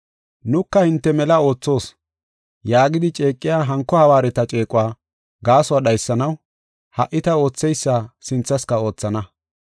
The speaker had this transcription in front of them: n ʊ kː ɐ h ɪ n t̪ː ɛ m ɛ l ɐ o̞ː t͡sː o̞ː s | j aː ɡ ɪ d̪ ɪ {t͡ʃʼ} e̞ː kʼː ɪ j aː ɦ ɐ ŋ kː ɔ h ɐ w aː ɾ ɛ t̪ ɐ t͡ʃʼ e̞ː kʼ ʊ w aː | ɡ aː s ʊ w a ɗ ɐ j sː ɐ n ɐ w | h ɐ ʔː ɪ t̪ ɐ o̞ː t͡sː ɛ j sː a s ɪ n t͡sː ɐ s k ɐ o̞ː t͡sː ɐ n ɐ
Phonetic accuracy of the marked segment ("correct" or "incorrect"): correct